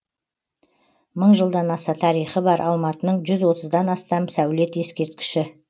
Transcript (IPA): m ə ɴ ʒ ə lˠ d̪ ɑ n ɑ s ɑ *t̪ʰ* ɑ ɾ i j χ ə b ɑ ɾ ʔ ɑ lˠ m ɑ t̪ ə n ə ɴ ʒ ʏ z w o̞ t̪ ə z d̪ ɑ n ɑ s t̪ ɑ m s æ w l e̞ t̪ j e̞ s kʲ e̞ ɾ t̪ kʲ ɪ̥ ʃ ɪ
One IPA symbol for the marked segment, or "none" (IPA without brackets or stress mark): t̪ʰ